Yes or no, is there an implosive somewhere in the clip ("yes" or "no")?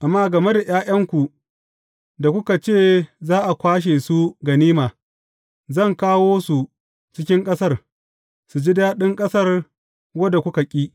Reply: yes